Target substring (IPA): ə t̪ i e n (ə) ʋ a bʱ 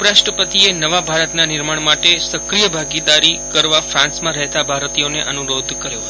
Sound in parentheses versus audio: correct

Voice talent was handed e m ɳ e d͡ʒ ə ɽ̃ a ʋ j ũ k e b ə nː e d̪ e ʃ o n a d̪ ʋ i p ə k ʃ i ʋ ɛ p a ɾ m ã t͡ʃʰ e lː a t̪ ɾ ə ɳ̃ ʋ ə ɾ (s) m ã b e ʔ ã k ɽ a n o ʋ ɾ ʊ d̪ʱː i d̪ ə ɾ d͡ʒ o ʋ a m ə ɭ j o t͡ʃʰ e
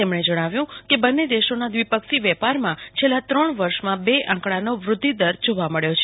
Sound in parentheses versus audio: incorrect: ʃ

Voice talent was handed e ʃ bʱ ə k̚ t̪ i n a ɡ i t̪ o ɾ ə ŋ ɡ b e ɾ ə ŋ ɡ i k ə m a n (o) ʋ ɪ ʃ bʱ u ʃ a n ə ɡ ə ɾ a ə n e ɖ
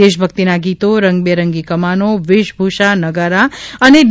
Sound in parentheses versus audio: correct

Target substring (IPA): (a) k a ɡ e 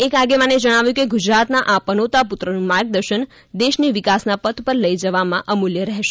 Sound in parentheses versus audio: incorrect: e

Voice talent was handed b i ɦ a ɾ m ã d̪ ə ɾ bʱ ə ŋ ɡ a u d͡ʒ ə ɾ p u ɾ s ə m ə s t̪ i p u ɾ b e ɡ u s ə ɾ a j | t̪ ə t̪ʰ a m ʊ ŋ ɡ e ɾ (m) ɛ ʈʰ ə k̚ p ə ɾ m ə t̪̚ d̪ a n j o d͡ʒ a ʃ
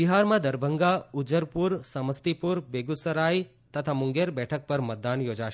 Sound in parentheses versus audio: incorrect: b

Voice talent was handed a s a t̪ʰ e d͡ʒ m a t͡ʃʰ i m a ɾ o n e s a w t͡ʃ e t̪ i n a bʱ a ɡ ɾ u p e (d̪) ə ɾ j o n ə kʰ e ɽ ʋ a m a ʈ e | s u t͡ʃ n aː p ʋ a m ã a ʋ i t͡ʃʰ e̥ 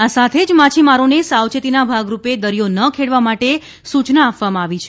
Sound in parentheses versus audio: correct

